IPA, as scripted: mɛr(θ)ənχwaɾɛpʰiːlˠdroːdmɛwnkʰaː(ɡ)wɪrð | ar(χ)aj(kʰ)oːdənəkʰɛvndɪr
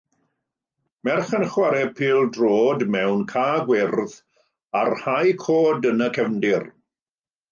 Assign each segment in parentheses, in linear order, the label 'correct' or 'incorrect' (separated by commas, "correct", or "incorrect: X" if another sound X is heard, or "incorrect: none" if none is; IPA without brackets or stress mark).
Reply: incorrect: χ, correct, incorrect: h, correct